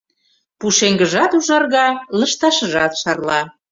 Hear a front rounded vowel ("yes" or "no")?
no